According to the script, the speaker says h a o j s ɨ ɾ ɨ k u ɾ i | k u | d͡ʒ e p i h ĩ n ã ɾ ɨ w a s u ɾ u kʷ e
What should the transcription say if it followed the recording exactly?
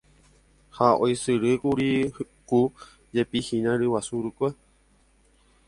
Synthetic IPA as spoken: h a o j s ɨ ɾ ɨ k u ɾ i | k u | d͡ʒ e p i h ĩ n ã ɾ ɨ w a s u ɾ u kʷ e